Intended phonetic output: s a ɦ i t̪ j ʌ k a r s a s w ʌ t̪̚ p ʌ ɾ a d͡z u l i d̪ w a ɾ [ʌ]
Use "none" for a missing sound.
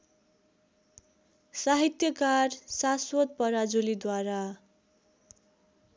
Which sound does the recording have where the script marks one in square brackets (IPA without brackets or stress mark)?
a